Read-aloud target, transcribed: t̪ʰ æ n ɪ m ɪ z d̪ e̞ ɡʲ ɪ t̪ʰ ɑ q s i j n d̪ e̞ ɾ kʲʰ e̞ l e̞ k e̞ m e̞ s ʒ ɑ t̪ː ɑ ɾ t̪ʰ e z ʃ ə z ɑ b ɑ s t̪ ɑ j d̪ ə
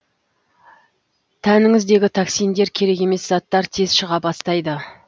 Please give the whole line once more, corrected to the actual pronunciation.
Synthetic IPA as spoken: t̪ʰ æ n ɪ ŋ ɪ z d̪ e̞ ɡʲ ɪ t̪ʰ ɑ k s i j n d̪ e̞ ɾ kʲʰ e̞ ɾ e̞ k e̞ m e̞ s z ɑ t̪ː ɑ ɾ t̪ʰ e z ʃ ə ʁ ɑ b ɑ s t̪ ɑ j d̪ ə